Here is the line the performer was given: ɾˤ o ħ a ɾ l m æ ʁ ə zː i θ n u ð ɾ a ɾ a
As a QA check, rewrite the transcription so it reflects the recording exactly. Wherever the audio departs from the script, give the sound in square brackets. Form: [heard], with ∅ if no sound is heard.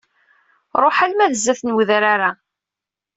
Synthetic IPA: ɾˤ o ħ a [∅] l m æ [ð] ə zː [æ] θ n [w] ð ɾ a ɾ a